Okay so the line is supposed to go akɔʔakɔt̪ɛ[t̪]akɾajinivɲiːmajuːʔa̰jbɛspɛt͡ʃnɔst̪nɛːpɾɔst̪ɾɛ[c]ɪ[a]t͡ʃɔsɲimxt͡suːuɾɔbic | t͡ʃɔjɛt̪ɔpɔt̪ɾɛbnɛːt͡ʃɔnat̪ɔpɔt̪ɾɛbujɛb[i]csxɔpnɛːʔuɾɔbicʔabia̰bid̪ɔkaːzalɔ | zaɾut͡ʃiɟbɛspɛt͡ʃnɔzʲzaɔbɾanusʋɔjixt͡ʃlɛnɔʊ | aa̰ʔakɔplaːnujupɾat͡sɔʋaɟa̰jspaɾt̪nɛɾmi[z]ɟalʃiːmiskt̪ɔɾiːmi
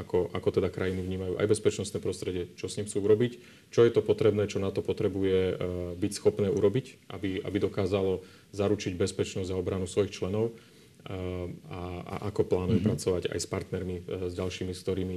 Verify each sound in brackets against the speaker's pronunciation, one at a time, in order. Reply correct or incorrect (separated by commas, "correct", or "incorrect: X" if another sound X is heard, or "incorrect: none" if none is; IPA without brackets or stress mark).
incorrect: d̪, incorrect: ɟ, incorrect: ɛ, correct, correct